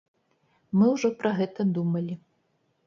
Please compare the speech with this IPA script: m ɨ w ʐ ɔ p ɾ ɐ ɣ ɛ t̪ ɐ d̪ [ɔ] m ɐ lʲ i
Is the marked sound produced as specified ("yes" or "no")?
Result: no